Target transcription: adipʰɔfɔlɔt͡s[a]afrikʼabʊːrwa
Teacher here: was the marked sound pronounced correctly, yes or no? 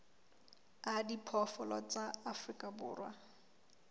yes